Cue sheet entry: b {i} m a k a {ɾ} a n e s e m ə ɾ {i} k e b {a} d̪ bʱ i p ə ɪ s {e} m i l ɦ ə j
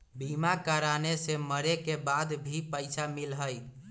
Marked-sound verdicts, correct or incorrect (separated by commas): correct, correct, incorrect, correct, incorrect